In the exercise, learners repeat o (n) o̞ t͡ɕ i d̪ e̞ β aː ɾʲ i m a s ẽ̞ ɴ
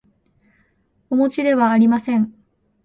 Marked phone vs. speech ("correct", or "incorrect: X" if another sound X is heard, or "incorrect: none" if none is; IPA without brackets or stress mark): incorrect: m